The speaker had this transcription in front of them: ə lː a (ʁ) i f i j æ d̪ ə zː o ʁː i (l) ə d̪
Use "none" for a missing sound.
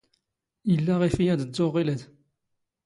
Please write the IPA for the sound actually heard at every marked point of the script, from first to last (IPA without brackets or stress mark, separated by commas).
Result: ʁ, l